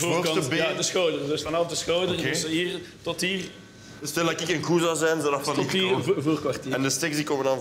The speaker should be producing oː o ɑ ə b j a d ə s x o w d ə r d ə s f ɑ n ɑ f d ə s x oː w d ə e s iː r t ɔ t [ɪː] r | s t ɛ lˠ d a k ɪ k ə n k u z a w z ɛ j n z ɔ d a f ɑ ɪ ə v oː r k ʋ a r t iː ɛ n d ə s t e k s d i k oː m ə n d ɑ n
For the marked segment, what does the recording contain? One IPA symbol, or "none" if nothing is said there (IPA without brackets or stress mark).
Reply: iː